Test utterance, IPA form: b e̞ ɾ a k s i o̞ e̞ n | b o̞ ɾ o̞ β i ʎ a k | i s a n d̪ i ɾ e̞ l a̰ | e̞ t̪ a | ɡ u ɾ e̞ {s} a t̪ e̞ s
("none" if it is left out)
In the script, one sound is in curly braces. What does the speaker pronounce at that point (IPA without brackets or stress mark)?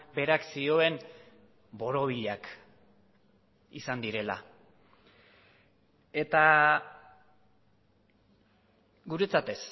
t͡s